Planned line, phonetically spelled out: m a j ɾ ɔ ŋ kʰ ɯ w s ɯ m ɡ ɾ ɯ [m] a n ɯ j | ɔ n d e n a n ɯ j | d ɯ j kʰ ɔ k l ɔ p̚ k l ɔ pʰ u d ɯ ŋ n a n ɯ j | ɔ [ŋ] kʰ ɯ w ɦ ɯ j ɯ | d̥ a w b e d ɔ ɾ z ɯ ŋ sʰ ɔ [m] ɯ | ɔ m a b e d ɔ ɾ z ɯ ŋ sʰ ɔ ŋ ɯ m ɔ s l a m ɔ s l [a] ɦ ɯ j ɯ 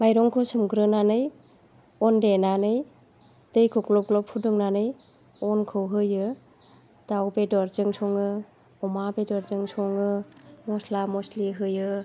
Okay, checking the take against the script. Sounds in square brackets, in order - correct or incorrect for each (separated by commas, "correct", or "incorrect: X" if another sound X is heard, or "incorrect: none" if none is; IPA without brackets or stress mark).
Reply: incorrect: n, incorrect: n, incorrect: ŋ, incorrect: i